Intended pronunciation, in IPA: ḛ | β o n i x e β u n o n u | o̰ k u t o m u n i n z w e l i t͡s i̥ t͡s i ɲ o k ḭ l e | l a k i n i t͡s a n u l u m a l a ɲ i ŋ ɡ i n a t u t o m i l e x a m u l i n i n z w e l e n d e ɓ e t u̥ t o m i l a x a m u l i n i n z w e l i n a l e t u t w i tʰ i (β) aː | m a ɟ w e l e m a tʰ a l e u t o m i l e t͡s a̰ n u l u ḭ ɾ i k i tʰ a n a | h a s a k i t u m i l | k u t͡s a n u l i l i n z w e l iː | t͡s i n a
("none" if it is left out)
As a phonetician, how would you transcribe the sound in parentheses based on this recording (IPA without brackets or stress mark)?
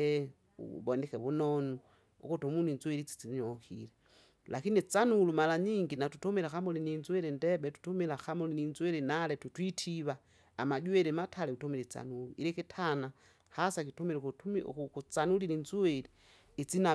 β